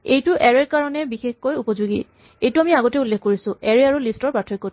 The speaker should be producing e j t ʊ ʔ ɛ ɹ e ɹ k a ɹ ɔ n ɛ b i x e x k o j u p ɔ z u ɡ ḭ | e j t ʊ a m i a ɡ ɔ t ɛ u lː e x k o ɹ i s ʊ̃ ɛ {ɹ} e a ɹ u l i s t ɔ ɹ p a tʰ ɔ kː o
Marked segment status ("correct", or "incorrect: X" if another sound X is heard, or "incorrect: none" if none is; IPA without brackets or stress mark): correct